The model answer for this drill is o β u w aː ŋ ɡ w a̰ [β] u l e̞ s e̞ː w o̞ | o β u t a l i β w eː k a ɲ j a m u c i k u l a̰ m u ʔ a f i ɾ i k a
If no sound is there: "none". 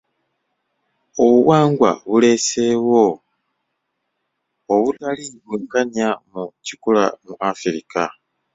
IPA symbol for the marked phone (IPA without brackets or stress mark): β